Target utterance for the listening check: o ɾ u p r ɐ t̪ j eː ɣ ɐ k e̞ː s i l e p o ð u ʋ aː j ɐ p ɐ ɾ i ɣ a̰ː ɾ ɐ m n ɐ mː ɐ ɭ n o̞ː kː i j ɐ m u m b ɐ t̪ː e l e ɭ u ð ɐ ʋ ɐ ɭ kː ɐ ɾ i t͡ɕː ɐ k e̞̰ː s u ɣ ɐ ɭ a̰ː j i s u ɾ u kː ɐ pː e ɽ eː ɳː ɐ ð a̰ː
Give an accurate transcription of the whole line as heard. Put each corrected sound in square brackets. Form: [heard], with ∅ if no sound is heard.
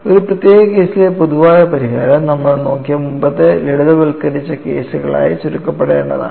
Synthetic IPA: o ɾ u p r ɐ t̪ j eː ɣ ɐ k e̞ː s i l e p o ð u ʋ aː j ɐ p ɐ ɾ i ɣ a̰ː ɾ ɐ m n ɐ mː ɐ ɭ n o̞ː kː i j ɐ m u m b ɐ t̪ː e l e [ɽ] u ð ɐ ʋ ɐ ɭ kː ɐ ɾ i t͡ɕː ɐ k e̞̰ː s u ɣ ɐ ɭ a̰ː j i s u ɾ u kː ɐ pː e ɽ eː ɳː ɐ ð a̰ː